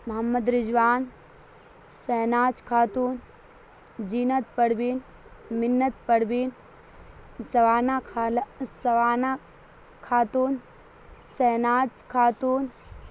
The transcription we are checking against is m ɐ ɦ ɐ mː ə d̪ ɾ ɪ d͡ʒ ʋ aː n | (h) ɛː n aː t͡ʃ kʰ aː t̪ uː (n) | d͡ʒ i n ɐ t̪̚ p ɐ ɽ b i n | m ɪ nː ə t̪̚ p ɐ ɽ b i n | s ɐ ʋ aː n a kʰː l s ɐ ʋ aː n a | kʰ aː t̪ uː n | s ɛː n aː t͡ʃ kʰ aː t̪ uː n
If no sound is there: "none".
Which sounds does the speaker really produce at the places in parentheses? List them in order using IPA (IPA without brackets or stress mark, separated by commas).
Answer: s, n